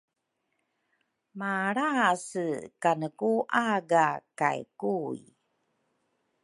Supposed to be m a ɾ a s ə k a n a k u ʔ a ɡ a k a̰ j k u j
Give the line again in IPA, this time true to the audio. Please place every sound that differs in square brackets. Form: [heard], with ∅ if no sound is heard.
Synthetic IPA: m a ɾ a s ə k a n [ə] k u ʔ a ɡ a k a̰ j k u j